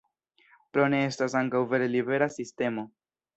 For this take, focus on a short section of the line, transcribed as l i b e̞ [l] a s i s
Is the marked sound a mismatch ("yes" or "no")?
yes